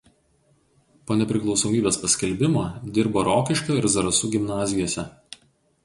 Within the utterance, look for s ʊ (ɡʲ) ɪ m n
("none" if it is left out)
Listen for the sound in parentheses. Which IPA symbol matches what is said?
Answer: ɡʲ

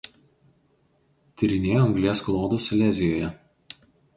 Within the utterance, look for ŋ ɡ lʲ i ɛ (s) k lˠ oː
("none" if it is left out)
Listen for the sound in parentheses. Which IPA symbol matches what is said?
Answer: s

